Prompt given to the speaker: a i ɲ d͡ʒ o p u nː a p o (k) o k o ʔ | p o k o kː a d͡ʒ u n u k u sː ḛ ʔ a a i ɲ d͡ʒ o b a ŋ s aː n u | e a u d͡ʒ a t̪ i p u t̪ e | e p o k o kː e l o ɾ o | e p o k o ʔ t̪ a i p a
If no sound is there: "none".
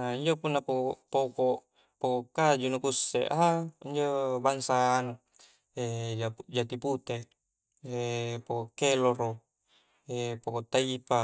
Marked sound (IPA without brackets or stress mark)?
p